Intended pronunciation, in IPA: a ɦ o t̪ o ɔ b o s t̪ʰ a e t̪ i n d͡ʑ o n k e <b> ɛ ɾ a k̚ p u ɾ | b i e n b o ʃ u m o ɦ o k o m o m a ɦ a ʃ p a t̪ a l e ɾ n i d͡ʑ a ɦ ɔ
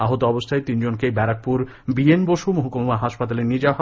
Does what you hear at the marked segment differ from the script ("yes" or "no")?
no